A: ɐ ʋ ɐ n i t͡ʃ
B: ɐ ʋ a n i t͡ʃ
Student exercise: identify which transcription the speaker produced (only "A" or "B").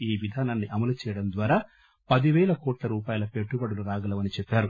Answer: A